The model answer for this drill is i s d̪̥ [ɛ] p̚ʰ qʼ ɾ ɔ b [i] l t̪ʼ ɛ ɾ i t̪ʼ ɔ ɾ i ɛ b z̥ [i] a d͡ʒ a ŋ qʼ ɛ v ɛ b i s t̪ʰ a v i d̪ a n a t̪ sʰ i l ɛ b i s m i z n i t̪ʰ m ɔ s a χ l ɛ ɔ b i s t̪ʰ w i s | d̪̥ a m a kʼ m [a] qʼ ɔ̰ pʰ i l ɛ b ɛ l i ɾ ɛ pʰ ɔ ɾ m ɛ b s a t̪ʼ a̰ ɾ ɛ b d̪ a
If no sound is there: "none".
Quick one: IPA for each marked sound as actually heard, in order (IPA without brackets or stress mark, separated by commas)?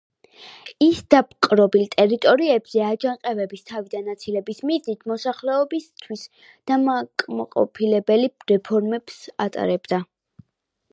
a, i, ɛ, a